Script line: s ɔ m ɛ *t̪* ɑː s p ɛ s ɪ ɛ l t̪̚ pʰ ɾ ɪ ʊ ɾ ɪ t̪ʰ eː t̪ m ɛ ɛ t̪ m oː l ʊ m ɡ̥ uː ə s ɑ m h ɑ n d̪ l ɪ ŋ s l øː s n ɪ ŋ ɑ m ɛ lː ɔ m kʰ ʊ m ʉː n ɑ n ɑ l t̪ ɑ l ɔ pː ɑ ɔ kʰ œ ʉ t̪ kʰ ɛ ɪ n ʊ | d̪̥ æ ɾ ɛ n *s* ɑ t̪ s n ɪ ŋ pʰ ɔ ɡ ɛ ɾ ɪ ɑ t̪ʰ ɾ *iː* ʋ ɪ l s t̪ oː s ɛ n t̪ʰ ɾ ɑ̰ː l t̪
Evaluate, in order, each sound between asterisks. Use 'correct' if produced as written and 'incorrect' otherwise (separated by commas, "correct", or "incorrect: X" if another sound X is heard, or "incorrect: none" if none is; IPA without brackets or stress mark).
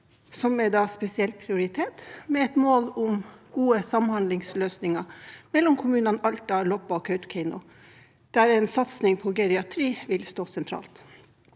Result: incorrect: d̪, correct, correct